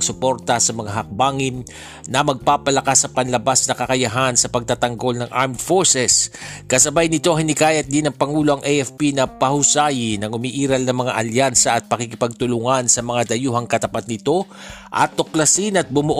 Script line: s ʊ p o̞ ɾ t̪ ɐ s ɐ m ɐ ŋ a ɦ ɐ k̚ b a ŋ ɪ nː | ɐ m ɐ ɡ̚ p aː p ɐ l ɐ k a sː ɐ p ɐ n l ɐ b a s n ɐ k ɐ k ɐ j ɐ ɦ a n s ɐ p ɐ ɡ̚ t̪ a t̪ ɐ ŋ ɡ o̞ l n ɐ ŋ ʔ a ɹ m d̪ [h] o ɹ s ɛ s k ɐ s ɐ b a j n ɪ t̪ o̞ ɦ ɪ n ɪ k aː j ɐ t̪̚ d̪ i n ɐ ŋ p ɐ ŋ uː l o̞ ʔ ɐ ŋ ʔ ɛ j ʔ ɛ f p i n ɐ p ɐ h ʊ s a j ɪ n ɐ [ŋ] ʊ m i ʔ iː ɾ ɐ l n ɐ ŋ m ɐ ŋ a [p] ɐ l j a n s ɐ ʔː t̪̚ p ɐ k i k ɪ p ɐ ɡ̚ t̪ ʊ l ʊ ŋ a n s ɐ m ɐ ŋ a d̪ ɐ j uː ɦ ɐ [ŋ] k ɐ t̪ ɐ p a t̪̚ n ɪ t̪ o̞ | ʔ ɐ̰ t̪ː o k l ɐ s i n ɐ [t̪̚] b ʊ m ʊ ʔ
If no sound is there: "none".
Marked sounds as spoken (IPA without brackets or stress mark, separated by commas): f, ŋ, ʔ, ŋ, t̪̚